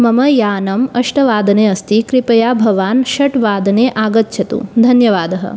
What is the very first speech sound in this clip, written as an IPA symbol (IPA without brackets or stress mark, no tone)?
m